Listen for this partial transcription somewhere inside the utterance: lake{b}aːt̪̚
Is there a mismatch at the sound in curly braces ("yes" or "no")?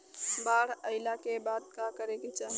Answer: no